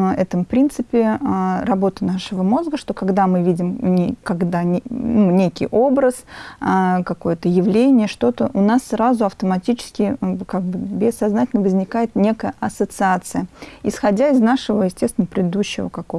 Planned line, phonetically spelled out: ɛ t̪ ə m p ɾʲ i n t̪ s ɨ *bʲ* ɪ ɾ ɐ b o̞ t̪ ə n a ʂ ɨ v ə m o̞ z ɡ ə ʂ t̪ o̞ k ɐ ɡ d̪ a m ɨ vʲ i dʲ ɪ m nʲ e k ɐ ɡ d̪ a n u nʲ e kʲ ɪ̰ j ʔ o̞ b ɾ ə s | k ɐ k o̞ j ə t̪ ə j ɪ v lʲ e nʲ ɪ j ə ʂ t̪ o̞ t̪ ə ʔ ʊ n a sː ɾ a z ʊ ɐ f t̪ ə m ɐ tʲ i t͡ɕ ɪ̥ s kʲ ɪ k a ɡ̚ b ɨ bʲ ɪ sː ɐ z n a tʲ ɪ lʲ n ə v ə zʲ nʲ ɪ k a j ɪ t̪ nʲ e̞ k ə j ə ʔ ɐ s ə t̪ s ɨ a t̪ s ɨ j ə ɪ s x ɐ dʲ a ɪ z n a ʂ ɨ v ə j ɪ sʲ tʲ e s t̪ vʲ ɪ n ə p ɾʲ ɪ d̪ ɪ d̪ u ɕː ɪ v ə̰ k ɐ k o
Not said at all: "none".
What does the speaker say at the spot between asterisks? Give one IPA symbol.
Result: pʲ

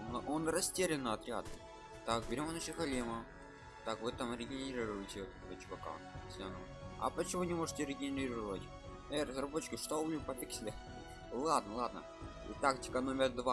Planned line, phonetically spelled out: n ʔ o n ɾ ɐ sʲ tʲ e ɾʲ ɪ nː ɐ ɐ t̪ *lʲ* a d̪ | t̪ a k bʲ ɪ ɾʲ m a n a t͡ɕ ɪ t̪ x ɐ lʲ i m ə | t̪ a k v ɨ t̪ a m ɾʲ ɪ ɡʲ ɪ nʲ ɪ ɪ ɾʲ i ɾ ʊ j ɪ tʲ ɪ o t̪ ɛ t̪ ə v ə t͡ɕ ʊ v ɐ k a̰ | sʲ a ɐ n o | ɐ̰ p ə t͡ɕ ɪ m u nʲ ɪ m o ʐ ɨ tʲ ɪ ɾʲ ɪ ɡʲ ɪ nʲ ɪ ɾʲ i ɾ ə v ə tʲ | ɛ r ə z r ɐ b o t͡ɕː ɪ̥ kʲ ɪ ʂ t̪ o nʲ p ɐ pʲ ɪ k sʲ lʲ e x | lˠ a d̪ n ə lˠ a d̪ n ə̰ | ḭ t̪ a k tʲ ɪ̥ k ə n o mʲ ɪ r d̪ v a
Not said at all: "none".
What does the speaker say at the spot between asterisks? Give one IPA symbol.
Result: ɾʲ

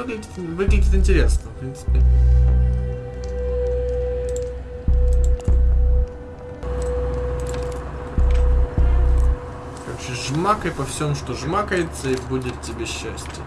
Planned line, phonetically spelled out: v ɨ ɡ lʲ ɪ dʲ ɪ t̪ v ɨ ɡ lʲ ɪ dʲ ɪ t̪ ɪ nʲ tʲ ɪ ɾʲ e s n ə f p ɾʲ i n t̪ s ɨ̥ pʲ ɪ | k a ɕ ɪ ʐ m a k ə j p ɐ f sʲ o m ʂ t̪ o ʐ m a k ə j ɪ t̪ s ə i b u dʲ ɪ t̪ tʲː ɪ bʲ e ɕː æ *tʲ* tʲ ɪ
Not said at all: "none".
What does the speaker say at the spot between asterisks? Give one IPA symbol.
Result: sʲ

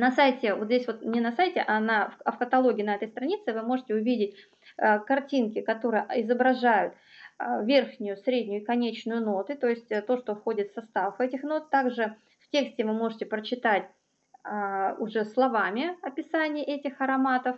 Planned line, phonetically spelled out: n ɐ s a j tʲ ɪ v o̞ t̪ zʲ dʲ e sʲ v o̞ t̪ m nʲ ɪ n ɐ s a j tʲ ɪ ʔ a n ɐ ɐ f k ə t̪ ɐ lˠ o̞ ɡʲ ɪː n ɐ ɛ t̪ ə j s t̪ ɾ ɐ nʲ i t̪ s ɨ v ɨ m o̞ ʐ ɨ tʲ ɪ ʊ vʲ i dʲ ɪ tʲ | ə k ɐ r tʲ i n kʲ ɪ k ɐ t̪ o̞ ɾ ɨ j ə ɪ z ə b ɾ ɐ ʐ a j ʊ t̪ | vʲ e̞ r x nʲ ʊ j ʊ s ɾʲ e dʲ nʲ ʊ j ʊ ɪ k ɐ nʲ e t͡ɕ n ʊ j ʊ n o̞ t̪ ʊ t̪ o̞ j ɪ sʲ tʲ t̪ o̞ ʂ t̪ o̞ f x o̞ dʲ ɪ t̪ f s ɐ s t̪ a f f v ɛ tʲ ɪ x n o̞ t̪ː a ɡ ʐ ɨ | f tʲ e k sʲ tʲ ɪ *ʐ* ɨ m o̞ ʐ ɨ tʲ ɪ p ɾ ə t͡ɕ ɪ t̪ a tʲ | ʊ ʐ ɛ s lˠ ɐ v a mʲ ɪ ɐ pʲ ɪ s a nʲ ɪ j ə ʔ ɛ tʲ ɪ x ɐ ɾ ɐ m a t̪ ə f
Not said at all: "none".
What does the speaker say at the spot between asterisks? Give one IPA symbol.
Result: v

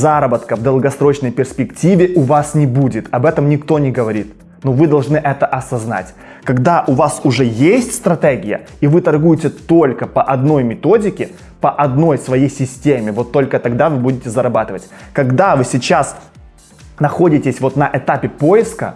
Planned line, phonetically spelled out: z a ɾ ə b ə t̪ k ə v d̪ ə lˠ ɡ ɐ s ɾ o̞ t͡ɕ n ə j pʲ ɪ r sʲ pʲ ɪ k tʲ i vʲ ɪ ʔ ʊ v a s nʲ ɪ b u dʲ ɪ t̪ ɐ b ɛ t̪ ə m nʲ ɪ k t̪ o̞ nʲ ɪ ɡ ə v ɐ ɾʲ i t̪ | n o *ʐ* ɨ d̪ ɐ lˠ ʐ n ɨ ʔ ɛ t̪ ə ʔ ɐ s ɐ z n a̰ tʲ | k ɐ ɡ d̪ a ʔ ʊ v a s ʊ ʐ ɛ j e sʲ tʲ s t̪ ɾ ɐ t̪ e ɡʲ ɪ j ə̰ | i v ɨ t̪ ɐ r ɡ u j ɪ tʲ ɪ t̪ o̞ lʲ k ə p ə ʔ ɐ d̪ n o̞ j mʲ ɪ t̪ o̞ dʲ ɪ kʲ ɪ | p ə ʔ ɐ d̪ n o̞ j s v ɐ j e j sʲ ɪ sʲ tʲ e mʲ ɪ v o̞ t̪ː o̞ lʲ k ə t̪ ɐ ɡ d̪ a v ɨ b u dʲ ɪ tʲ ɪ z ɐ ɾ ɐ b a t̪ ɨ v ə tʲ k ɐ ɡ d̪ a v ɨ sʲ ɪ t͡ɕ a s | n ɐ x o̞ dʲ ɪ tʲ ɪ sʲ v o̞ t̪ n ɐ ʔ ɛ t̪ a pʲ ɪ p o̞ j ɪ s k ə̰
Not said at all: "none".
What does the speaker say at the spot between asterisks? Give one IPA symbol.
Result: v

